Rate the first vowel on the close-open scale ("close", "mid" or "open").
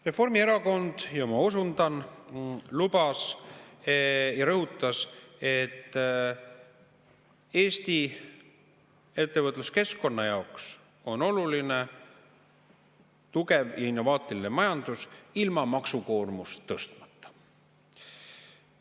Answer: mid